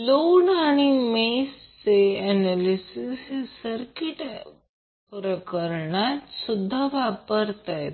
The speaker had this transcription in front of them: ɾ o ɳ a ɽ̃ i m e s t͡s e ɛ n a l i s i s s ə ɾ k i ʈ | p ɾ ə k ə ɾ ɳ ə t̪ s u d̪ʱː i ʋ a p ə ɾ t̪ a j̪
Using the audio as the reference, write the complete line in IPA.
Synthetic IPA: l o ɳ a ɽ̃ i m e s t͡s e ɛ n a l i s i s s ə ɾ k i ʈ | p ɾ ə k ə ɾ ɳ a t̪ s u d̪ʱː a ʋ a p ə ɾ t̪ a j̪